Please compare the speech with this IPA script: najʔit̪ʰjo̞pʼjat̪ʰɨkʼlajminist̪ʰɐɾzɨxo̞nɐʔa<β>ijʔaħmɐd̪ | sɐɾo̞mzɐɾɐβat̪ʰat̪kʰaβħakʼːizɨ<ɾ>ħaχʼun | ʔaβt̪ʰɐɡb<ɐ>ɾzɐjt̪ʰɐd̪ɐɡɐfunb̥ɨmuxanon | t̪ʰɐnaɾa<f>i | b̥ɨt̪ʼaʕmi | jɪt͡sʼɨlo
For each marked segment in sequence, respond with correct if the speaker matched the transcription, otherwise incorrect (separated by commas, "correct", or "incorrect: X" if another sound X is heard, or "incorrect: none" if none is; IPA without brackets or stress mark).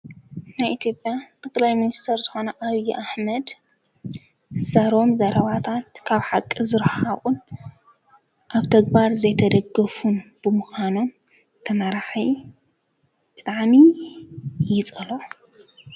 correct, correct, incorrect: a, incorrect: ħ